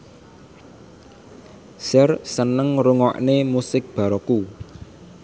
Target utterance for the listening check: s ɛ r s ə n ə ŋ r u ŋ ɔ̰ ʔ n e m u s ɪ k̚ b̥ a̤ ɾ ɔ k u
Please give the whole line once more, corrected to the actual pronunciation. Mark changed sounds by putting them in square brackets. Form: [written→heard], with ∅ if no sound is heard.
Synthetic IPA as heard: s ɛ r s ə n ə ŋ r u ŋ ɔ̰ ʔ n e m u s ɪ k̚ b̥ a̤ ɾ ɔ k u

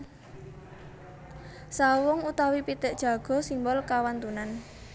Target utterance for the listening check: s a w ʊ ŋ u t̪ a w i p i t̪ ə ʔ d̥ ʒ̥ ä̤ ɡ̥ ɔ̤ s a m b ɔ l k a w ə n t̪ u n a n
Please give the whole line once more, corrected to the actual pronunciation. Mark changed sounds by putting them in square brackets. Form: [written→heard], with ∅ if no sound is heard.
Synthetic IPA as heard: s a w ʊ ŋ u t̪ a w i p i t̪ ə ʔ d̥ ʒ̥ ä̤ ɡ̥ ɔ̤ s [a→i] m b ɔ l k a w [ə→a] n t̪ u n a n

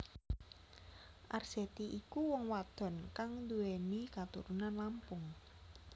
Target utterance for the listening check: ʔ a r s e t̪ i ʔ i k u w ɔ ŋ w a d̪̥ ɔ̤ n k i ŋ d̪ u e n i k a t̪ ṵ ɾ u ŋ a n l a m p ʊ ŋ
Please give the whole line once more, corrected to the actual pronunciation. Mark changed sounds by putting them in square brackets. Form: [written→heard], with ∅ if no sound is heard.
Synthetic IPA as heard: ʔ a r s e t̪ i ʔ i k u w ɔ ŋ w a d̪̥ ɔ̤ n k [i→a] ŋ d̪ u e n i k a t̪ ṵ ɾ u [ŋ→n] a n l a m p ʊ ŋ

